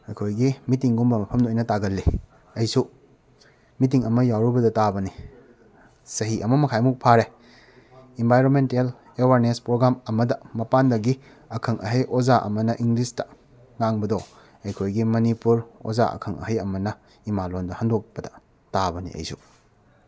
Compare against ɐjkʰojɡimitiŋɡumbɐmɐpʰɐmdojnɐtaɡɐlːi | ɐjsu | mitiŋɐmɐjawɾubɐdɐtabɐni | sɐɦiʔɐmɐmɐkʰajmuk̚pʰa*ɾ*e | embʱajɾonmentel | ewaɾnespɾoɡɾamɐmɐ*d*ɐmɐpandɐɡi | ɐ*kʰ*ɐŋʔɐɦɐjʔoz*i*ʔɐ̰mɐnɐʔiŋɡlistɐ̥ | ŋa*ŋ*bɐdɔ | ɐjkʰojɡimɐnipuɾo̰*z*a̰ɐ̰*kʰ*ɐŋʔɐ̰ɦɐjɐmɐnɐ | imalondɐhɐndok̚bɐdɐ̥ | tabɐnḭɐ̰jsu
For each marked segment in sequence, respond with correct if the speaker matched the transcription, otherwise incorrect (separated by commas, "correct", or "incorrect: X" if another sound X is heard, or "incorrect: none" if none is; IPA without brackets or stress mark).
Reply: correct, correct, correct, incorrect: a, correct, correct, correct